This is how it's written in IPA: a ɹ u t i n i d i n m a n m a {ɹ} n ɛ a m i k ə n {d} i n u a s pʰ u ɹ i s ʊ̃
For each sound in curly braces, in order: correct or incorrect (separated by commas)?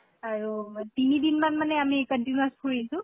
incorrect, incorrect